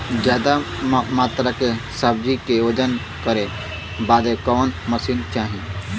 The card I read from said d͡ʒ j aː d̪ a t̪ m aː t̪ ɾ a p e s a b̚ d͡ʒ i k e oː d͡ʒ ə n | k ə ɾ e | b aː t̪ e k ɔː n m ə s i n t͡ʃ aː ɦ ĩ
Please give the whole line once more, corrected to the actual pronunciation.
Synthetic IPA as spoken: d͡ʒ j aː d̪ a m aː t̪ ɾ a k e s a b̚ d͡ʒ i k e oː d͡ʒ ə n | k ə ɾ e | b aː d̪ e k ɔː n m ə s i n t͡ʃ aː ɦ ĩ